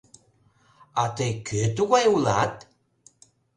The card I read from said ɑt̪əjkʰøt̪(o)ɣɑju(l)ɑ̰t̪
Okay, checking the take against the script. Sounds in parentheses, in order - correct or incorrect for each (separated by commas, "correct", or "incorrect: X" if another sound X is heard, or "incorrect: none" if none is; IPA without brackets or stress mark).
incorrect: u, correct